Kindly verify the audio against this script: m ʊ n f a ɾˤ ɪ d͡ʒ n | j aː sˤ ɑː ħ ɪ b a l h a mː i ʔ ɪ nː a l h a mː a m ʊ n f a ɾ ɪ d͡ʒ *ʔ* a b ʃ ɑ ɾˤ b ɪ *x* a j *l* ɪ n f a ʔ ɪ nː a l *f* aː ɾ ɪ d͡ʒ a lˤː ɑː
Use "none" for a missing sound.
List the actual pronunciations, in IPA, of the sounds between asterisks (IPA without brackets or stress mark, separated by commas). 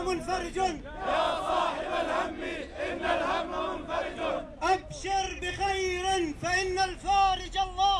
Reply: ʔ, x, ɾ, f